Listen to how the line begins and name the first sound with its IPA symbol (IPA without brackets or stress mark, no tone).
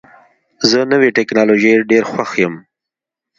z